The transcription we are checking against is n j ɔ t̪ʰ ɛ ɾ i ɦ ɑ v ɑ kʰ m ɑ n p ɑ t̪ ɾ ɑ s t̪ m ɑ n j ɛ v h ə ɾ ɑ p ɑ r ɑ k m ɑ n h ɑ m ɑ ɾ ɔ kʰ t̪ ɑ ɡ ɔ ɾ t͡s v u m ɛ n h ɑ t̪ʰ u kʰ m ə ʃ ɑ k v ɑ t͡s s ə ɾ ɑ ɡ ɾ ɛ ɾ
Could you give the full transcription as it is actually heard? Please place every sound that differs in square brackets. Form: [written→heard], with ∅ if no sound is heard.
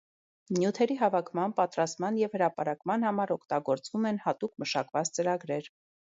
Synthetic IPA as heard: n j [ɔ→u] t̪ʰ ɛ ɾ i ɦ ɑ v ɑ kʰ m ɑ n p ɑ t̪ ɾ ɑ s t̪ m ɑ n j ɛ v h ə ɾ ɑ p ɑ [r→ɾ] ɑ k m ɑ n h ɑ m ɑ ɾ ɔ kʰ t̪ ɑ ɡ ɔ ɾ t͡s v u m ɛ n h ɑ [t̪ʰ→t̪] u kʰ m ə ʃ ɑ k v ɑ t͡s [s→t͡s] ə ɾ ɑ ɡ ɾ ɛ ɾ